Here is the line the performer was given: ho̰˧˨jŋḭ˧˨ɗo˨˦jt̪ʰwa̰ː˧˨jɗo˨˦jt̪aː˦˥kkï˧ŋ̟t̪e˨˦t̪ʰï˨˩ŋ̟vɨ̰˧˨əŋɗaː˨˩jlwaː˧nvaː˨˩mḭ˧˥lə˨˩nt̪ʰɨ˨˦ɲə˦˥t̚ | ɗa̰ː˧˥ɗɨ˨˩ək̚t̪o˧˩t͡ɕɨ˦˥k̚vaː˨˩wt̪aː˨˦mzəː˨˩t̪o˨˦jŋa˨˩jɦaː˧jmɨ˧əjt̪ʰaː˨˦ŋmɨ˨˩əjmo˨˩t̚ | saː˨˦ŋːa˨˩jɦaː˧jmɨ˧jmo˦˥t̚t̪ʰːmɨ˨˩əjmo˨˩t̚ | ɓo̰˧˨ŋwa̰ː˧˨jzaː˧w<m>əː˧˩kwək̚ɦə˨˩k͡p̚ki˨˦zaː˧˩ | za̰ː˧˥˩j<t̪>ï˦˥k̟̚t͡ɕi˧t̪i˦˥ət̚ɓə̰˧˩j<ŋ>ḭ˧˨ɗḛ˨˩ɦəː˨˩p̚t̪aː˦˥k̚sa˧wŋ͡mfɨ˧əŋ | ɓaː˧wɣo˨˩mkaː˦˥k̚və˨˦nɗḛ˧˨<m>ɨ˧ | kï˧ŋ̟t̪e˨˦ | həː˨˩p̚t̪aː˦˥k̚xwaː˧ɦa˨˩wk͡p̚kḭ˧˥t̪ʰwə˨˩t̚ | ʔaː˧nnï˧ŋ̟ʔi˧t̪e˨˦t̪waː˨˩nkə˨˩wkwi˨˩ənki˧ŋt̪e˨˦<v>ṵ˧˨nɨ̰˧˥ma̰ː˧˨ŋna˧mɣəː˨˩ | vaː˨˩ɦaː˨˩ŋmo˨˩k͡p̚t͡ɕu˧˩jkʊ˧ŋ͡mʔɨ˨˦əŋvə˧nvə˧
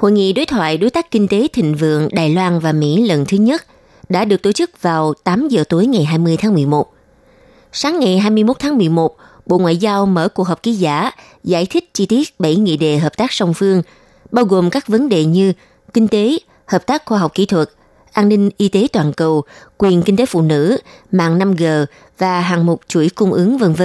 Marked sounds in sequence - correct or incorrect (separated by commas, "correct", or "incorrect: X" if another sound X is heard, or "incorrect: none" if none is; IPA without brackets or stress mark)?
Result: correct, incorrect: t̪ʰ, correct, incorrect: ɲ, incorrect: f